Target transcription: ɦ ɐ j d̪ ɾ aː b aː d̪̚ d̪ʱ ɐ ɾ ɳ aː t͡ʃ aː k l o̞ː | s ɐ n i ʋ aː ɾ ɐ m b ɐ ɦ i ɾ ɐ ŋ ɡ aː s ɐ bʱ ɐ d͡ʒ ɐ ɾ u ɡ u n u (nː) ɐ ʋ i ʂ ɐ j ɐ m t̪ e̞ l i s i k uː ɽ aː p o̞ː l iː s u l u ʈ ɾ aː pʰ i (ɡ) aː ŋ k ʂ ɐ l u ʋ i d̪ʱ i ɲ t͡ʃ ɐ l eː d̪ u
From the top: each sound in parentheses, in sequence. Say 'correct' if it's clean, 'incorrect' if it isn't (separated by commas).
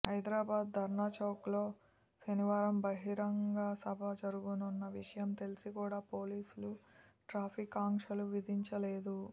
correct, incorrect